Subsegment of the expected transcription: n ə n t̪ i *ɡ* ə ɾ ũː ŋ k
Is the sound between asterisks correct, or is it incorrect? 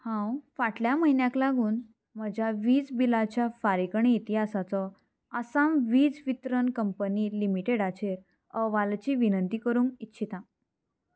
incorrect